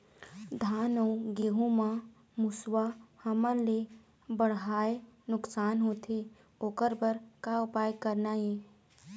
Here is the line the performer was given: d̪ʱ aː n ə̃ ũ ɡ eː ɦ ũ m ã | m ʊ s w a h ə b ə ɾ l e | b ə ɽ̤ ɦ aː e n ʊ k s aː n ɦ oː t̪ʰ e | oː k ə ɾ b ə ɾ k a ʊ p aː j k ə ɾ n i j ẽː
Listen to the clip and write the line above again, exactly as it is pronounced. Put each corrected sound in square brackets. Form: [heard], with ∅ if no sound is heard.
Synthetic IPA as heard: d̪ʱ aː n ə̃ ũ ɡ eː ɦ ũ m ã | m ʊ s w a h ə [m] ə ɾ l e | b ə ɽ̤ ɦ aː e n ʊ k s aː n ɦ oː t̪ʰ e | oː k ə ɾ b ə ɾ k a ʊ p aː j k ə ɾ n [a] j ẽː